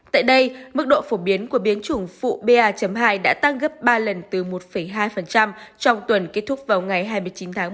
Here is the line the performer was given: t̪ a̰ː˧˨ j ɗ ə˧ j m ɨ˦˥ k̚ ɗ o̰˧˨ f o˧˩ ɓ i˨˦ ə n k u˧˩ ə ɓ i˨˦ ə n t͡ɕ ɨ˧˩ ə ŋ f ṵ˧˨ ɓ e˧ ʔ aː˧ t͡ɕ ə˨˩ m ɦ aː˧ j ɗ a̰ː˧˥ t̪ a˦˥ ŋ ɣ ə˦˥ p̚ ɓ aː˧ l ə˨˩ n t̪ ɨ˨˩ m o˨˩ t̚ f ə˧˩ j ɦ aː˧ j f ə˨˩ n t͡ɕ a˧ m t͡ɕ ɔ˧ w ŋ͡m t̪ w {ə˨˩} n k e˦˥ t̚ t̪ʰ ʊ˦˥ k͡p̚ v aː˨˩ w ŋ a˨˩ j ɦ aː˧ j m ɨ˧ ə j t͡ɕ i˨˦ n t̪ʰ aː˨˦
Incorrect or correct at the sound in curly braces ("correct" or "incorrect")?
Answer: correct